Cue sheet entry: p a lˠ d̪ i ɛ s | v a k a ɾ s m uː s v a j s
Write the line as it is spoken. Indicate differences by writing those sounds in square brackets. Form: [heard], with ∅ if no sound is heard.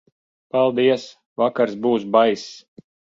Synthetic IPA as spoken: p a lˠ d̪ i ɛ s | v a k a ɾ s [b] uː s [b] a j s